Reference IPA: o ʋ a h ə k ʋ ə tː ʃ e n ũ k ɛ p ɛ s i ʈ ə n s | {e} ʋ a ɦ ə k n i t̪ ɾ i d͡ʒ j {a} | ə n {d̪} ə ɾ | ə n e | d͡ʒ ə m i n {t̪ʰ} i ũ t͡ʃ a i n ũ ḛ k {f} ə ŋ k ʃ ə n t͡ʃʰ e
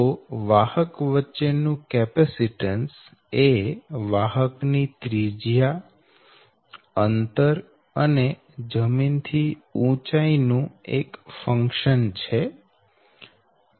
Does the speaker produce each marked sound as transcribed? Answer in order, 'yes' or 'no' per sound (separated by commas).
yes, yes, no, yes, yes